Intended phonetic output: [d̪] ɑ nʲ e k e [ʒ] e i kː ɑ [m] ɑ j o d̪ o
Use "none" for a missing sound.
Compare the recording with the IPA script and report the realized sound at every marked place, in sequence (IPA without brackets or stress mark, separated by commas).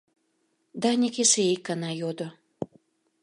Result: d̪, ʃ, n